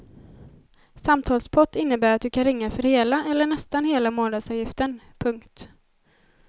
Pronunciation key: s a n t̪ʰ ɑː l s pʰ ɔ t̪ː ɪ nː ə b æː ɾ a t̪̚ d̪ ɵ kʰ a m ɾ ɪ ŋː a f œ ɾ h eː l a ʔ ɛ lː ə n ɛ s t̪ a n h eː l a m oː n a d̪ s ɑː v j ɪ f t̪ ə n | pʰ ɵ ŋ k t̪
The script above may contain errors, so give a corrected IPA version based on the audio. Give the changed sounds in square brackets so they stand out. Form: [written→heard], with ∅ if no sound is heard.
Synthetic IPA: s a [n→m] t̪ʰ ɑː l s pʰ ɔ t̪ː ɪ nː ə b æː ɾ a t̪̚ d̪ ɵ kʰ a [m→n] ɾ ɪ ŋː a f œ ɾ h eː l a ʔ ɛ lː ə [n→ɳ] ɛ s t̪ a n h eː l a m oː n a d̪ s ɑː v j ɪ f t̪ ə n | pʰ ɵ ŋ k t̪